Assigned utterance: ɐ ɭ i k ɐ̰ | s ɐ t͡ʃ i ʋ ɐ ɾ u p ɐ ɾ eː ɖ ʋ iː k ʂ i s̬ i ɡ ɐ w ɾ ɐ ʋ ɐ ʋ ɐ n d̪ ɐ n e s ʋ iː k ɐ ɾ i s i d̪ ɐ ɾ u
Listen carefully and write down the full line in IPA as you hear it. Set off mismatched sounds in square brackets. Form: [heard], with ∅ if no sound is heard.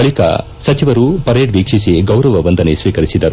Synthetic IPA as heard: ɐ ɭ i k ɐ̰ | s ɐ t͡ʃ i ʋ ɐ ɾ u p ɐ ɾ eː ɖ ʋ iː k ʂ i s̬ i ɡ ɐ w ɾ ɐ ʋ ɐ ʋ ɐ n d̪ ɐ n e s ʋ iː k ɐ ɾ i s i d̪ ɐ ɾ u